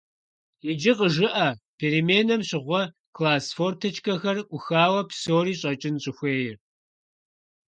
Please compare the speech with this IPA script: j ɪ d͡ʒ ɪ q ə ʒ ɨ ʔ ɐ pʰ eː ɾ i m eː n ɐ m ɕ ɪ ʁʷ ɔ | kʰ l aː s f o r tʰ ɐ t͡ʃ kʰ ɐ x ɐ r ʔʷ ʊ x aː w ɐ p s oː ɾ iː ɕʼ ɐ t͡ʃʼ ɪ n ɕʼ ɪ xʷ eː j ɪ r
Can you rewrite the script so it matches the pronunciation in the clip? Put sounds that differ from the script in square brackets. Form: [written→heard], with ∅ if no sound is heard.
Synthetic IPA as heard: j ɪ d͡ʒ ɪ q ə ʒ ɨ ʔ ɐ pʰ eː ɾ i m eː n ɐ m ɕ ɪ ʁʷ ɔ | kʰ l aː s f o r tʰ ɐ t͡ʃ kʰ ɐ x ɐ r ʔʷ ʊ x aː w ɐ p s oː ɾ iː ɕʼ ɐ t͡ʃʼ ɪ n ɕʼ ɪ xʷ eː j ɪ r